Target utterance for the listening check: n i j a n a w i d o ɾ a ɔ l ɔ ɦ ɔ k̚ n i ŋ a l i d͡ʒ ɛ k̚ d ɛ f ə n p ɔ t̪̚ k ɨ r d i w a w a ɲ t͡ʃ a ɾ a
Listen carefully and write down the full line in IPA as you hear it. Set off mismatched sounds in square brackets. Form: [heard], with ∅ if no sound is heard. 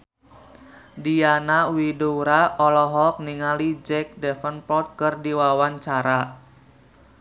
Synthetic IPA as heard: [d] i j a n a w i d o ɾ a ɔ l ɔ ɦ ɔ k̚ n i ŋ a l i d͡ʒ ɛ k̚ d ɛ f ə n p ɔ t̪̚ k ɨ r d i w a w a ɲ t͡ʃ a ɾ a